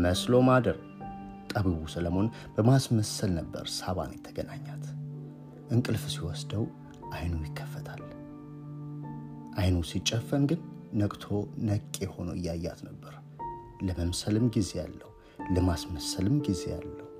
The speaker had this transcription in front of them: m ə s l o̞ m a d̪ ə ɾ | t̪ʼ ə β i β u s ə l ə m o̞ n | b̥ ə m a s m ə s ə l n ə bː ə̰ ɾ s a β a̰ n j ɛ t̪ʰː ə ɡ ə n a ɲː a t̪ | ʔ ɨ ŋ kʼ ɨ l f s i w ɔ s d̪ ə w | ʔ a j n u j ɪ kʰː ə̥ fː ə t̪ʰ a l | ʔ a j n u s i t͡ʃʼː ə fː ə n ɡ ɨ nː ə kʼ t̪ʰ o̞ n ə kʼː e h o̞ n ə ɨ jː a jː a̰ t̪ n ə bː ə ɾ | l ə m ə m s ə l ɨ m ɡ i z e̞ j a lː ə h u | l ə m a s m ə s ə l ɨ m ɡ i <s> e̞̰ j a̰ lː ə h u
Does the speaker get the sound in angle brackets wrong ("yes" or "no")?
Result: yes